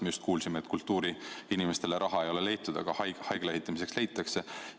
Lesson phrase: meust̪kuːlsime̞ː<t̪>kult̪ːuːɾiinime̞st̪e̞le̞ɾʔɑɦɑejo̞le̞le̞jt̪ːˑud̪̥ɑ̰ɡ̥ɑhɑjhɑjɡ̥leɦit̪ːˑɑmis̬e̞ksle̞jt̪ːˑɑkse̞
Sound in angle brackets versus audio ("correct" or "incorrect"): correct